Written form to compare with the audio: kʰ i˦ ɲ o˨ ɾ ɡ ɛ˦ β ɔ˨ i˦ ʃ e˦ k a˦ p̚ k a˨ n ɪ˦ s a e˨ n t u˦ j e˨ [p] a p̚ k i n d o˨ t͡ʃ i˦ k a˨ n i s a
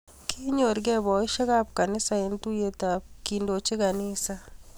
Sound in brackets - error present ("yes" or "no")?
yes